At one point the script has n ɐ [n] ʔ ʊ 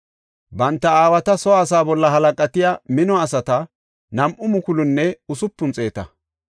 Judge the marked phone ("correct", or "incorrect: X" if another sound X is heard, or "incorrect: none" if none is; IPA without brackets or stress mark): incorrect: m